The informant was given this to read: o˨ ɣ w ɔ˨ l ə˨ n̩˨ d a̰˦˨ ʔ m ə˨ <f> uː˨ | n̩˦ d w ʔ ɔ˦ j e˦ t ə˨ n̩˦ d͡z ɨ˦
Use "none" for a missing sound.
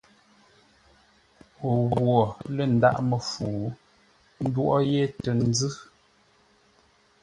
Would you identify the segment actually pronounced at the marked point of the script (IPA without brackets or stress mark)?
f